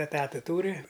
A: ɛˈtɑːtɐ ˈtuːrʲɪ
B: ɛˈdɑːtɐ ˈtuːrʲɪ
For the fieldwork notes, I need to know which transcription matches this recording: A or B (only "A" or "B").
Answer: A